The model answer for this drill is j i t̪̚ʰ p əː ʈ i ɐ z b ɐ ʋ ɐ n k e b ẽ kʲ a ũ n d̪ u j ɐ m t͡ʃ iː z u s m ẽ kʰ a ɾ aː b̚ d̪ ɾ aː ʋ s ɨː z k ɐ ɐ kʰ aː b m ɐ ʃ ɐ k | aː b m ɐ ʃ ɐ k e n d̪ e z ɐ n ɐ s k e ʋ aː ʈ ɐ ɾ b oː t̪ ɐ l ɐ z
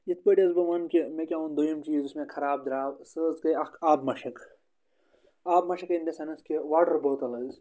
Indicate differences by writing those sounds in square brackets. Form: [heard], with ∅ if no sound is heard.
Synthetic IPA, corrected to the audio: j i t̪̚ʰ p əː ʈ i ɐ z b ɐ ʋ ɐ n k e [m] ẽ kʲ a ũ n d̪ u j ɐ m t͡ʃ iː z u s m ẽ kʰ [ɐ] ɾ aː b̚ d̪ ɾ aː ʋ s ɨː z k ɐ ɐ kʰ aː b m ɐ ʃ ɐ k | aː b m ɐ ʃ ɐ k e n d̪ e [s] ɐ n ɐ s k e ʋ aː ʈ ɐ ɾ b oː t̪ ɐ l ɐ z